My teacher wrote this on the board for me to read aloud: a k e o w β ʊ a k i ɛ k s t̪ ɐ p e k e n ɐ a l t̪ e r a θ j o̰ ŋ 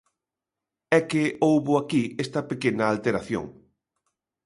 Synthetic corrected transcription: ɛ k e o w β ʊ a k i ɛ s t̪ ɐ p e k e n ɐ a l t̪ e ɾ a θ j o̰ ŋ